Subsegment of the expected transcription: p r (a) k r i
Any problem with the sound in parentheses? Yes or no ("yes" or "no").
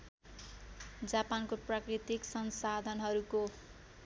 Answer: no